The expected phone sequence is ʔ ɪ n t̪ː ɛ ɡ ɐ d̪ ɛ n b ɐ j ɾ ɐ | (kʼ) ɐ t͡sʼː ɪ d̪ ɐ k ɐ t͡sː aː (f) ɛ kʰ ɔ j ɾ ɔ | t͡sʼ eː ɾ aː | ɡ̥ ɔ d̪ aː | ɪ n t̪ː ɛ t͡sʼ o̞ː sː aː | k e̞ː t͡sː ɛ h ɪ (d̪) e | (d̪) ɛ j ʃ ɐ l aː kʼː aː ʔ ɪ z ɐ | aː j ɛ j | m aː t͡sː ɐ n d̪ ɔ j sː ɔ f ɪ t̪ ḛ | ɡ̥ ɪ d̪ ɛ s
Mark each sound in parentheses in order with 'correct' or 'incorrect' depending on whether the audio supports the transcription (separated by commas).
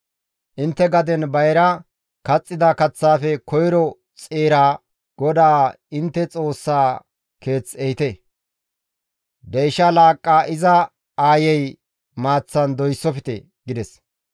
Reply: incorrect, correct, incorrect, correct